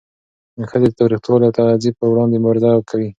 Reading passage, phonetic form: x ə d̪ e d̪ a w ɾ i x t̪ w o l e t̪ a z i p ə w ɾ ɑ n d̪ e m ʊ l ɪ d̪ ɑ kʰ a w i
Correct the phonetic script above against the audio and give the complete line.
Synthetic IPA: x ə d̪ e t̪ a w ɾ i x t̪ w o l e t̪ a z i p ə w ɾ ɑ n d̪ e m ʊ ɾ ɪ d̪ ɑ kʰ a w i